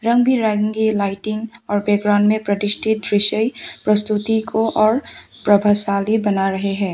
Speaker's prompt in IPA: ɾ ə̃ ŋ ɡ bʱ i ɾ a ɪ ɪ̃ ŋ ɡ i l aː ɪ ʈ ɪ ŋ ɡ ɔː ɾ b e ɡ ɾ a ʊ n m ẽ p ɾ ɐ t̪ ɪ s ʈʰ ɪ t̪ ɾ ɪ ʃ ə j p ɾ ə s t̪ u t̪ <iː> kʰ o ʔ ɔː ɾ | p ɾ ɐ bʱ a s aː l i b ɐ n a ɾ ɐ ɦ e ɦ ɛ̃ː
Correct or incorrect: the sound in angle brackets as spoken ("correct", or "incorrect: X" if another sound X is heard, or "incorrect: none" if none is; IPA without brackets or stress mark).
incorrect: i